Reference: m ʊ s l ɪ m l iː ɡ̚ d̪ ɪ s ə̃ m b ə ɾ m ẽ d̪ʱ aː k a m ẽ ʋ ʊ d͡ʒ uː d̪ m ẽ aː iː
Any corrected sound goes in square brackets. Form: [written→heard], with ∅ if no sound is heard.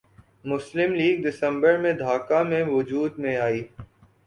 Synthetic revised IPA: m ʊ s l ɪ m l iː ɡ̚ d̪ ɪ s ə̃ m b ə ɾ m ẽ d̪ʱ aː k a m ẽ ʋ ʊ d͡ʒ uː d̪ m ẽ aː iː